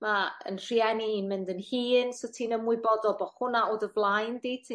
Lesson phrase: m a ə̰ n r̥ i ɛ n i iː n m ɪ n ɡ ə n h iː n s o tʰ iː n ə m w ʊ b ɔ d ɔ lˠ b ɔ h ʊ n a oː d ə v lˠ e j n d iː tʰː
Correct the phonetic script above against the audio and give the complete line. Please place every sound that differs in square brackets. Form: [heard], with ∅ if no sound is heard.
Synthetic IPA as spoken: m a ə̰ n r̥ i ɛ n i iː n m ɪ n [d] ə n h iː n s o tʰ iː n ə m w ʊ b ɔ d ɔ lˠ b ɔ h ʊ n a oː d ə v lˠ [a] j n d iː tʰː